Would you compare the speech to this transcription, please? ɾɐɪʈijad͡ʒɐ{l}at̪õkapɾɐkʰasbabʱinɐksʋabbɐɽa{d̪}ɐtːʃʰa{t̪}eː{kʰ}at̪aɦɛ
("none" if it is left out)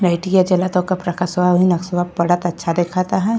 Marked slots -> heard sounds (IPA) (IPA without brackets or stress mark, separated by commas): l, t̪, d̪, kʰ